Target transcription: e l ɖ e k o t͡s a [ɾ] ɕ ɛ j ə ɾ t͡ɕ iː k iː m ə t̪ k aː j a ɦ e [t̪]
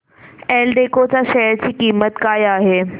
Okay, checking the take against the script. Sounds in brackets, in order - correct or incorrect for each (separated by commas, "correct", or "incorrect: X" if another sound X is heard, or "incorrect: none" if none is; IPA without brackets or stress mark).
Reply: incorrect: none, incorrect: none